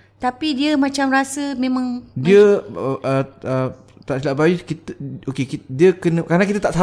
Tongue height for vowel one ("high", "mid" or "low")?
low